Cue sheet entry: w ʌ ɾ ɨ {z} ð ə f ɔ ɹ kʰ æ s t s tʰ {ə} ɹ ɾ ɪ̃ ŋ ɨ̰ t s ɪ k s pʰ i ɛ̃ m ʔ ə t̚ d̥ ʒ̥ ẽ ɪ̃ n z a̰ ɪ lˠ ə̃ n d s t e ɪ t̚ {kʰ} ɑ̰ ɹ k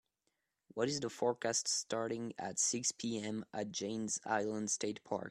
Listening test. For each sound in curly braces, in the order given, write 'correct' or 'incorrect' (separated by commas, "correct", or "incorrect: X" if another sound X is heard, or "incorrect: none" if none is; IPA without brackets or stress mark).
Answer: correct, incorrect: ɑ, incorrect: pʰ